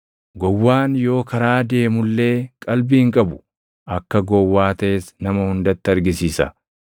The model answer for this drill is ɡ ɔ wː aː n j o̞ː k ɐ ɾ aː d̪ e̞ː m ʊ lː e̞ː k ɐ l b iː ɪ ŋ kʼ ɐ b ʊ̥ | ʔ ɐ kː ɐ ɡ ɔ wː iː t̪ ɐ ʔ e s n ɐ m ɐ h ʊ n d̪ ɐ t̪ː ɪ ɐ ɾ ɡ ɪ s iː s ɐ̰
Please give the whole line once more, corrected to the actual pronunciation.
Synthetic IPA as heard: ɡ ɔ wː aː n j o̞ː k ɐ ɾ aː d̪ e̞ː m ʊ lː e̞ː kʼ ɐ l b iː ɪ ŋ kʼ ɐ b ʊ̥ | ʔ ɐ kː ɐ ɡ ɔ wː aː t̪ ɐ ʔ e s n ɐ m ɐ h ʊ n d̪ ɐ t̪ː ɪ ɐ ɾ ɡ ɪ s iː s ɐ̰